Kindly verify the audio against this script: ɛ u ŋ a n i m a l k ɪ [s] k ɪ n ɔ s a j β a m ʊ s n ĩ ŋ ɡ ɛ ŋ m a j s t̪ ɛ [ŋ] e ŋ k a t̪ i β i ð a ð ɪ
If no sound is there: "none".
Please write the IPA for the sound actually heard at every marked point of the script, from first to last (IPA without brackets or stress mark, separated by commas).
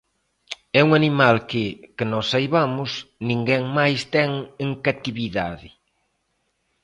none, ŋ